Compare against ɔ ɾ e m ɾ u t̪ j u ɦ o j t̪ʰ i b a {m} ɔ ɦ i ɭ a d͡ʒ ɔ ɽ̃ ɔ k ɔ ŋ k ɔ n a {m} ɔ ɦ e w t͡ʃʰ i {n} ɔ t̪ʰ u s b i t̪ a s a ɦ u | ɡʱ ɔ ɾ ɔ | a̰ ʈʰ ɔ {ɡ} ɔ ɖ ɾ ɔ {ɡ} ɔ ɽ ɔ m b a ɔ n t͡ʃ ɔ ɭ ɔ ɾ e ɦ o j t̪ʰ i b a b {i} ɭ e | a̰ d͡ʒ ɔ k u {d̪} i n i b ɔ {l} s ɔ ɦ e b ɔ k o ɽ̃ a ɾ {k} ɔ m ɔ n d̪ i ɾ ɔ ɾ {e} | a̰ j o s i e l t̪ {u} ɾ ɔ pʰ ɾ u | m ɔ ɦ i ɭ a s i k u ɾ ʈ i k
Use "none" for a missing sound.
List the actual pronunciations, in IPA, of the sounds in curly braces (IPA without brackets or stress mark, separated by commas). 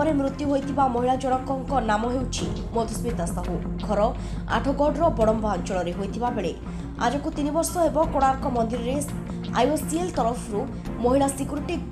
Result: m, m, m, ɡ, b, e, t̪, ɾ, k, e, ɔ